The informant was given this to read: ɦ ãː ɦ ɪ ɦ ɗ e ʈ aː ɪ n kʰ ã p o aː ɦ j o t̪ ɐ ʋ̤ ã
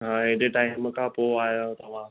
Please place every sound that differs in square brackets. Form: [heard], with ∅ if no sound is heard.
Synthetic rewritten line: ɦ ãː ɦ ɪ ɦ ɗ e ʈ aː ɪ [m] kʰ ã p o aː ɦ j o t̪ ɐ ʋ̤ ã